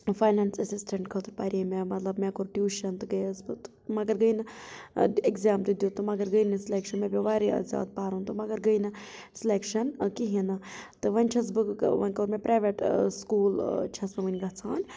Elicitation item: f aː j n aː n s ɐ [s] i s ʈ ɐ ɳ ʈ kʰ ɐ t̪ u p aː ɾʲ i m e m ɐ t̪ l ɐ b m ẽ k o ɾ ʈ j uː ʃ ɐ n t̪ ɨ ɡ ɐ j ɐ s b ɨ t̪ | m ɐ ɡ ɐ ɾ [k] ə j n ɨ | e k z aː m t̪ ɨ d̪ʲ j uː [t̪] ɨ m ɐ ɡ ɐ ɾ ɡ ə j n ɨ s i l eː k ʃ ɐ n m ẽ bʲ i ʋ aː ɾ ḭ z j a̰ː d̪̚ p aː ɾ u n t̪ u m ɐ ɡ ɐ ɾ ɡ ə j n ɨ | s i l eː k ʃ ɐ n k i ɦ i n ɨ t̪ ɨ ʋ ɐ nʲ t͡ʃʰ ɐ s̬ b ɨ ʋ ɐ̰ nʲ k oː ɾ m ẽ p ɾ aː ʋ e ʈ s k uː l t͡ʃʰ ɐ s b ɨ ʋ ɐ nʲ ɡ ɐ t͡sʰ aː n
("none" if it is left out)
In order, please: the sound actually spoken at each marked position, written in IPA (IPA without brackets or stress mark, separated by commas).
s, ɡ, t̪